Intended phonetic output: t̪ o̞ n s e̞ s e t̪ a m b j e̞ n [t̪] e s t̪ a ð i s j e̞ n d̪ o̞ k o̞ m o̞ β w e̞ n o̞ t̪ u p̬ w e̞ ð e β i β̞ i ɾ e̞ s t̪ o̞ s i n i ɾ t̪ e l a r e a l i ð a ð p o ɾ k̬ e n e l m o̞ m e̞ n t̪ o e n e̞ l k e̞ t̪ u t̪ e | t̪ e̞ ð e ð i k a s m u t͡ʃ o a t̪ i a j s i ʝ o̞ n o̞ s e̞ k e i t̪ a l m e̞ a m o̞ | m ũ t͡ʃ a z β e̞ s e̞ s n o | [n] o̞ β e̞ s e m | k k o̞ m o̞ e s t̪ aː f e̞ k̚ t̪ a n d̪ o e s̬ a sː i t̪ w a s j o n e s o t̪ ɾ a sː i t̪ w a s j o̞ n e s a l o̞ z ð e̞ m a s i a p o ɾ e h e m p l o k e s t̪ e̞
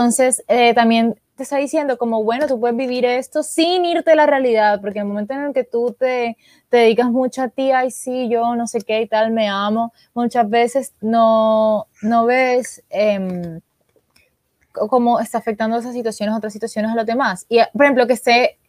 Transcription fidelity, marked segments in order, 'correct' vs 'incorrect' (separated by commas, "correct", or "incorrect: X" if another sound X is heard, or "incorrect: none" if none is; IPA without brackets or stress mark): correct, correct